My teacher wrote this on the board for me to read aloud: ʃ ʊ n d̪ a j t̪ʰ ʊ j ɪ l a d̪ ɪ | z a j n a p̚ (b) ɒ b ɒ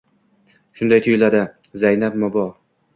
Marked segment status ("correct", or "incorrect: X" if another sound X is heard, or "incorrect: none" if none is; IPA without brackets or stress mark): incorrect: m